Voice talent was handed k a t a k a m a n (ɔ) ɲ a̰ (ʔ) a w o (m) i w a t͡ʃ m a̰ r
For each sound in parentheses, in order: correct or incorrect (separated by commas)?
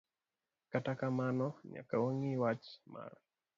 correct, incorrect, incorrect